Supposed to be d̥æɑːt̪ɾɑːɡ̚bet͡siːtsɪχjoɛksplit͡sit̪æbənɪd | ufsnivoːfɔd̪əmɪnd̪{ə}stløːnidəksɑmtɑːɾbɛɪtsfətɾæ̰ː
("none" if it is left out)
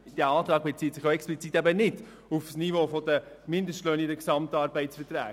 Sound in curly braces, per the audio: ə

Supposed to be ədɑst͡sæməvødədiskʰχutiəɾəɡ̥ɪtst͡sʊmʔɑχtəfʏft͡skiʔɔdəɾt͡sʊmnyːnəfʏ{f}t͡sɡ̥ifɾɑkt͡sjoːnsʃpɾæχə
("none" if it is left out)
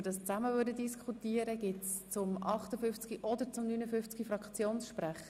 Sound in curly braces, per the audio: f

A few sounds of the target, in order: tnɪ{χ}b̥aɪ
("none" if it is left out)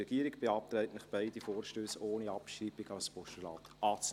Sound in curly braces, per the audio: χ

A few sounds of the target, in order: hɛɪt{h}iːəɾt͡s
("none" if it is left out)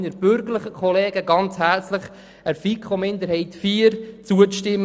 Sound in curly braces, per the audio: f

